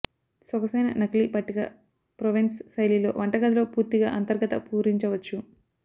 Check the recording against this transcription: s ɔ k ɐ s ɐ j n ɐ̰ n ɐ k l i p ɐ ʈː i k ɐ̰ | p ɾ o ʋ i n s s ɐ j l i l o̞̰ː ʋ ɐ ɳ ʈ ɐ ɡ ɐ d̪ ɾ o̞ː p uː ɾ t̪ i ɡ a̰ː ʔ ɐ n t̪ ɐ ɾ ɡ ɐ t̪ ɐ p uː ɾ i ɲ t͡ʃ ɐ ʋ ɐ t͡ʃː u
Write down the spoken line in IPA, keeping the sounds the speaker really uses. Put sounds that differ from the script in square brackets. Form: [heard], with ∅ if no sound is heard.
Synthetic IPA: s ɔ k ɐ s ɐ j n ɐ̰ n ɐ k l i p ɐ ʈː i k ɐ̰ | p ɾ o ʋ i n s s ɐ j l i l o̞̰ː ʋ ɐ ɳ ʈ ɐ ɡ ɐ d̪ [l] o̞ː p uː ɾ t̪ i ɡ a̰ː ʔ ɐ n t̪ ɐ ɾ ɡ ɐ t̪ ɐ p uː ɾ i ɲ t͡ʃ ɐ ʋ ɐ t͡ʃː u